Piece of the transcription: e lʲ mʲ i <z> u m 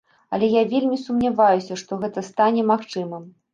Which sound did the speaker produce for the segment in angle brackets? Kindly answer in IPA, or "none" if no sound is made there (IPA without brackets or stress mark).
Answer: s